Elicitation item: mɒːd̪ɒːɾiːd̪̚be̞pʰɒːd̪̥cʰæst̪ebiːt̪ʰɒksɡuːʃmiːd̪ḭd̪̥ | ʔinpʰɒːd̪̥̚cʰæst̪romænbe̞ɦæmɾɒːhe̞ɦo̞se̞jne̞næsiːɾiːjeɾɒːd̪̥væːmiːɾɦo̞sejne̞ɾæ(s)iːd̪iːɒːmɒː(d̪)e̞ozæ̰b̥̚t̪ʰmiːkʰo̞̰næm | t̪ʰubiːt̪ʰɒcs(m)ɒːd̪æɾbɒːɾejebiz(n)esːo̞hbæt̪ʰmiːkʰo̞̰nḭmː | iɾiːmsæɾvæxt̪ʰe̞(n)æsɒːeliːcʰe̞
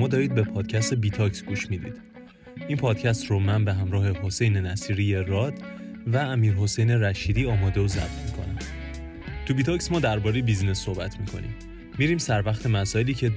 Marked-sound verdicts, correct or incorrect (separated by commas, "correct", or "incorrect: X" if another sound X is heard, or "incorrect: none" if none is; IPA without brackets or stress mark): incorrect: ʃ, correct, correct, correct, incorrect: m